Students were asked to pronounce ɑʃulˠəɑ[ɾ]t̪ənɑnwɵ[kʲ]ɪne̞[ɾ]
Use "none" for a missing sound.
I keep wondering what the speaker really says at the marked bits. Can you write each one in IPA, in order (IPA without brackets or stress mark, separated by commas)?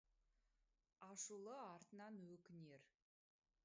ɾ, kʲ, ɾ